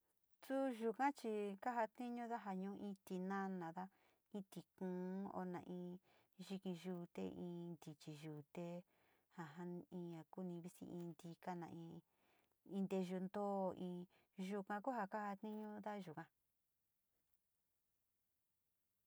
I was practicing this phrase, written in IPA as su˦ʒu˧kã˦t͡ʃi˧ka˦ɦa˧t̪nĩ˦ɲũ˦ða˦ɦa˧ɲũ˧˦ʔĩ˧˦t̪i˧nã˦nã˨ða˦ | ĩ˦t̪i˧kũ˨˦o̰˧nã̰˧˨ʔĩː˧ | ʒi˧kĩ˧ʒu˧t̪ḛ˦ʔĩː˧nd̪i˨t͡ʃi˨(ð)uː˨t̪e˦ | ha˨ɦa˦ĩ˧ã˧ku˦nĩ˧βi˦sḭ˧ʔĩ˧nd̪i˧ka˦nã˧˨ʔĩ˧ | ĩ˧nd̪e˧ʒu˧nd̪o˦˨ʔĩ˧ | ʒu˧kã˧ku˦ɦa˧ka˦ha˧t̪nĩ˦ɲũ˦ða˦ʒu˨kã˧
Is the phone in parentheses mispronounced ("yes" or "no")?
yes